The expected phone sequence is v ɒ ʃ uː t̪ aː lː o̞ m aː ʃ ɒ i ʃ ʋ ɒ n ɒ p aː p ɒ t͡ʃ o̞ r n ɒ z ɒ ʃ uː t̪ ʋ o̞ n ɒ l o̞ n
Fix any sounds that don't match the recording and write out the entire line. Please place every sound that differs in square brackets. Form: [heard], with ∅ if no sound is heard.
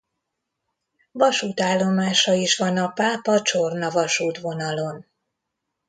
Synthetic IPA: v ɒ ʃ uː t̪ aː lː o̞ m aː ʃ ɒ i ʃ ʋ ɒ n ɒ p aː p ɒ t͡ʃ o̞ r n ɒ [v] ɒ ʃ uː t̪ ʋ o̞ n ɒ l o̞ n